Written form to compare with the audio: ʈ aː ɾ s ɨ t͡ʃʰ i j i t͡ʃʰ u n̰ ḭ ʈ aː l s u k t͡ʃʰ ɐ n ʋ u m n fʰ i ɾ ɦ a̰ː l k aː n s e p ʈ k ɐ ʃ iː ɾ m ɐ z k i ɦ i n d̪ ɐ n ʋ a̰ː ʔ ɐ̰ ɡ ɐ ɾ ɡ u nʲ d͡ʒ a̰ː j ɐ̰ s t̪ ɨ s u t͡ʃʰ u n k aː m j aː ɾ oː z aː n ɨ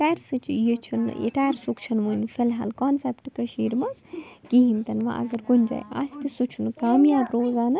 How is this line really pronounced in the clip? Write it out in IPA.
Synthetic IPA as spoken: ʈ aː ɾ s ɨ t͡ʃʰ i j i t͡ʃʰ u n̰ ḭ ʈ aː ɾ s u k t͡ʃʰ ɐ n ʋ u n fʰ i l ɦ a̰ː l k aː n s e p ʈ k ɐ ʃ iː ɾ m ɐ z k i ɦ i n t̪ ɐ n ʋ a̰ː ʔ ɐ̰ ɡ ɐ ɾ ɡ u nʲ d͡ʒ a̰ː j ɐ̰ s t̪ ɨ s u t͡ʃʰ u n k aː m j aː ɾ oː z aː n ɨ